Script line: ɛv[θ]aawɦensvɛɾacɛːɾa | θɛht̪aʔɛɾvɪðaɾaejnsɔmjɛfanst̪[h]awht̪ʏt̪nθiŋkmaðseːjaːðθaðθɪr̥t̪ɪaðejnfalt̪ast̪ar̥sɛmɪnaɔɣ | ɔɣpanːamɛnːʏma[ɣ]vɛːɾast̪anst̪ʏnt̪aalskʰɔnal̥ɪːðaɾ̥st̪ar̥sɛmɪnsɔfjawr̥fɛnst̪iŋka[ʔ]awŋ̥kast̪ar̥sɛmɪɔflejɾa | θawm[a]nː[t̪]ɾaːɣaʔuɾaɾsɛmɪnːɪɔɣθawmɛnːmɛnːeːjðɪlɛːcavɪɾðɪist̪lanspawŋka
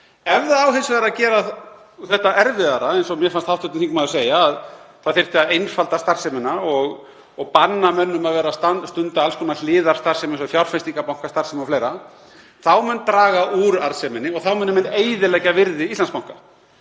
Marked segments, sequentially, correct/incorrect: incorrect, correct, incorrect, incorrect, incorrect, correct

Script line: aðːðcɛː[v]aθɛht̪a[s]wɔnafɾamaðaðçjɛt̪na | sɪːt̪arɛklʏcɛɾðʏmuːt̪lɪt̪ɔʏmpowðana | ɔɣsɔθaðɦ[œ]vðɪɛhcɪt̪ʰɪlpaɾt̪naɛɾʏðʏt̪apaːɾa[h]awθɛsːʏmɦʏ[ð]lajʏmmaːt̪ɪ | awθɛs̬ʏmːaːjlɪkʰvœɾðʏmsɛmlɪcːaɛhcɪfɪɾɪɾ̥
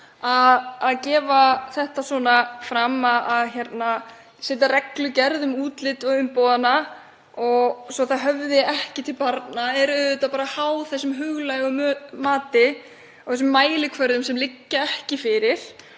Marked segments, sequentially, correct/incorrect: correct, correct, correct, correct, incorrect

